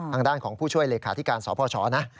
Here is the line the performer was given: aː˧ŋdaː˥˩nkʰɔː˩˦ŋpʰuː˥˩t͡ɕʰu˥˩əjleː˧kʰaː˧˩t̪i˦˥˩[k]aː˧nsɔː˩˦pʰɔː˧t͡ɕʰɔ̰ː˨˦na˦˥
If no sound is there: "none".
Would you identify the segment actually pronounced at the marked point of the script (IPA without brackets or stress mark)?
k